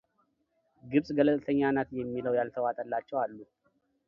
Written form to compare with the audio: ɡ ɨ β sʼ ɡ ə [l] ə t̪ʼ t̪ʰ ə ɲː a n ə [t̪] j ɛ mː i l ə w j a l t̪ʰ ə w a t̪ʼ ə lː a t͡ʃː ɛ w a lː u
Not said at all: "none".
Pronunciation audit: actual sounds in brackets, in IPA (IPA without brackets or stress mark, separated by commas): l, t̪